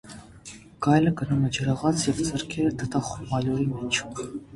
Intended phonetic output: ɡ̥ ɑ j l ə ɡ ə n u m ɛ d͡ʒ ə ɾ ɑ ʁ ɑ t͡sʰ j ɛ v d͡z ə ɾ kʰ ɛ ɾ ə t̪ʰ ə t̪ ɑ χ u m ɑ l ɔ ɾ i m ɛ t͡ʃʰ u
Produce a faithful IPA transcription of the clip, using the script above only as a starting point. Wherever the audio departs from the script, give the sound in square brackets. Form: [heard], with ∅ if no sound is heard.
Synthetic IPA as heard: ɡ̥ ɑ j l ə ɡ ə n u m ɛ d͡ʒ ə ɾ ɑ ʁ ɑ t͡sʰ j ɛ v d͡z ə ɾ kʰ ɛ ɾ ə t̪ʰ ə t̪ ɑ χ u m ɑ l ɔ ɾ i m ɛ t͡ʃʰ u